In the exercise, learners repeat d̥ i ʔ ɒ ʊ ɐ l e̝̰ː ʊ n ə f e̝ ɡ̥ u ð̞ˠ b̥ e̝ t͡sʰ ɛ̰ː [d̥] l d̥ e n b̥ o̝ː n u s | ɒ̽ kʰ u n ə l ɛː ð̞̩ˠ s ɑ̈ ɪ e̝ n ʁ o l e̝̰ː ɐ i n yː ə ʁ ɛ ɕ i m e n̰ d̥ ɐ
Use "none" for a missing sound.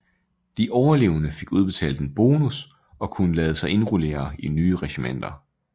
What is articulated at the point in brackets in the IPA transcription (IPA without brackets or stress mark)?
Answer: none